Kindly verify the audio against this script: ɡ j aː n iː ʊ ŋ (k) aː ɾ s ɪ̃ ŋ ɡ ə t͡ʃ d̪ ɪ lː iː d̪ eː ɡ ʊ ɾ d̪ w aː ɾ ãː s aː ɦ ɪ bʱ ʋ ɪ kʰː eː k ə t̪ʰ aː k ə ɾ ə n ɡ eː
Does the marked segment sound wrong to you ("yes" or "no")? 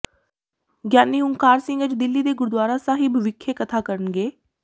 no